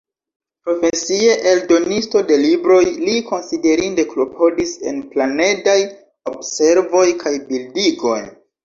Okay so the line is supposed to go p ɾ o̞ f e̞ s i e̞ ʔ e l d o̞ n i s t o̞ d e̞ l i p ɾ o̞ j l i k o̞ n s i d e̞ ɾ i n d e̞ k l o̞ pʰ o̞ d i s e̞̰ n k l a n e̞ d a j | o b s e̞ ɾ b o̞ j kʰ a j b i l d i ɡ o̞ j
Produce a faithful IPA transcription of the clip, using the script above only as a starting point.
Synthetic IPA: p ɾ o̞ f e̞ s i e̞ ʔ e l d o̞ n i s t o̞ d e̞ l i b ɾ o̞ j l i k o̞ n s i d e̞ ɾ i n d e̞ k l o̞ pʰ o̞ d i s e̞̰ n p l a n e̞ d a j | o b s e̞ ɾ v o̞ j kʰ a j b i l d i ɡ o̞ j